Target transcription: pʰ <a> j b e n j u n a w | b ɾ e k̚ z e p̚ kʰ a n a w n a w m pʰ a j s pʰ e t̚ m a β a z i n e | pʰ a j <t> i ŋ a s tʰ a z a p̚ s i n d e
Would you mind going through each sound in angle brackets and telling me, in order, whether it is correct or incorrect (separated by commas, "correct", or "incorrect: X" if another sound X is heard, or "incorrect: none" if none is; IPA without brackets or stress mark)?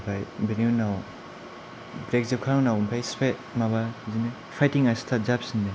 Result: correct, correct